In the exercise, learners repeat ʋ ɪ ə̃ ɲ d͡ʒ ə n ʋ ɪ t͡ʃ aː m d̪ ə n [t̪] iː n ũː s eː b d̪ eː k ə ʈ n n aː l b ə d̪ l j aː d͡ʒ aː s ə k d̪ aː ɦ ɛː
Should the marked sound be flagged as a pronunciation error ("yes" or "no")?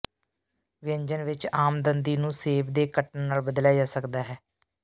yes